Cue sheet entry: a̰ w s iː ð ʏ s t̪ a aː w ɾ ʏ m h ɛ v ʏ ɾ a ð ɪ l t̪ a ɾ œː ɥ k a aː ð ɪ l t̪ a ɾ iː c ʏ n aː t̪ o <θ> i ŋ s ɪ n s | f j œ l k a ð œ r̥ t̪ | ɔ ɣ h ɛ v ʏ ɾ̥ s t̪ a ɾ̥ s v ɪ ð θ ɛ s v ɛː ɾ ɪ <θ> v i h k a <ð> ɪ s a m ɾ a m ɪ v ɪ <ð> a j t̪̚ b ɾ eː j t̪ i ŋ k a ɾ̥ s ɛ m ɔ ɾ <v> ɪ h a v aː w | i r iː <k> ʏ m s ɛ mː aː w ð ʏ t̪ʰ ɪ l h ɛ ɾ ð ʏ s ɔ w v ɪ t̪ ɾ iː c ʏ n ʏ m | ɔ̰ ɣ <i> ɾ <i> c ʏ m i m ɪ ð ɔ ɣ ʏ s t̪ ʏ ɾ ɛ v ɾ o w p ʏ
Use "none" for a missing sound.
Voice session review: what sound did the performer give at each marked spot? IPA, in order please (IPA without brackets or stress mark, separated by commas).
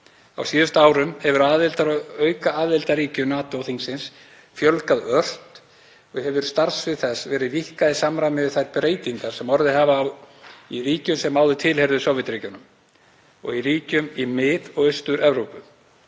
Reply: θ, ð, ð, θ, ð, c, i, iː